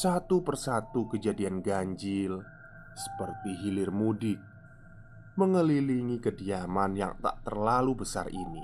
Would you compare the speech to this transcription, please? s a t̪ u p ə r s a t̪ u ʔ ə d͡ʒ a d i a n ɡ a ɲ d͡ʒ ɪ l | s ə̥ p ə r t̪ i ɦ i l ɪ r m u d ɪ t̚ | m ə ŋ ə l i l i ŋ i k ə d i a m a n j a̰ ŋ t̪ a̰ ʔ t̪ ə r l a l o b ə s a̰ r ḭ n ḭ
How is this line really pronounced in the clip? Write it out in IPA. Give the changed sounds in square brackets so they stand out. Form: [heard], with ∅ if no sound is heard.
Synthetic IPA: s a t̪ u p ə r s a t̪ u [k] ə d͡ʒ a d i a n ɡ a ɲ d͡ʒ ɪ l | s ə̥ p ə r t̪ i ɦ i l ɪ r m u d ɪ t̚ | m ə ŋ ə l i l i ŋ i k ə d i a m a n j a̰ ŋ t̪ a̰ ʔ t̪ ə r l a l [u] b ə s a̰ r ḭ n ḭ